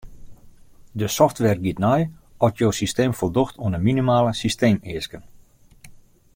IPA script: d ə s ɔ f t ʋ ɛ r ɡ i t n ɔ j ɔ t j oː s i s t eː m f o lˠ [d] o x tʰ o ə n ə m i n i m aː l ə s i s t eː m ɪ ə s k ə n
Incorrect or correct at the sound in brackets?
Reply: correct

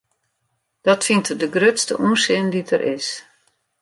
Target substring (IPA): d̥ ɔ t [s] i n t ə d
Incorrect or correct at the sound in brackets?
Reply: incorrect: f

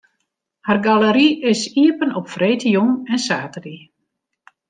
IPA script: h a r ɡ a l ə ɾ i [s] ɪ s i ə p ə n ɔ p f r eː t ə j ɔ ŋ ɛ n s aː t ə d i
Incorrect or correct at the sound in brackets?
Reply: incorrect: none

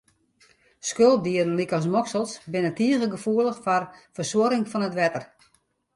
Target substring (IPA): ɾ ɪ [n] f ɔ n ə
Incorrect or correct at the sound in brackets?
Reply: incorrect: ŋ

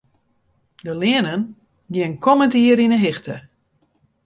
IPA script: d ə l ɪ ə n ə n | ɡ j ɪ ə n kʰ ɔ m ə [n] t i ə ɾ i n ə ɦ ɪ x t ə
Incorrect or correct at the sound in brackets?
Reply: correct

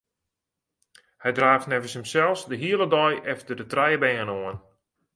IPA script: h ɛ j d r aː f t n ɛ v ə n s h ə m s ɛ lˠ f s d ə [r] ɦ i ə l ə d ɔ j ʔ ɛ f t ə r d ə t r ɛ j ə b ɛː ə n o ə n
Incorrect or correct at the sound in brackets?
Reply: incorrect: none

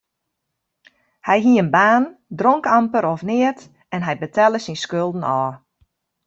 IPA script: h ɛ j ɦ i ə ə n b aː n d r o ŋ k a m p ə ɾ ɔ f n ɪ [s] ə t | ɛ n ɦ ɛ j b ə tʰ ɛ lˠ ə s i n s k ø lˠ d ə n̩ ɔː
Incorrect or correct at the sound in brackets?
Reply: incorrect: none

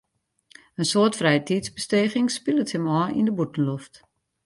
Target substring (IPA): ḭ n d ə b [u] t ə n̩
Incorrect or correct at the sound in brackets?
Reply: correct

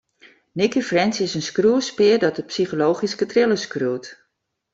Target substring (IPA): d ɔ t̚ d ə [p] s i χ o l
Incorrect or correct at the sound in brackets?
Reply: correct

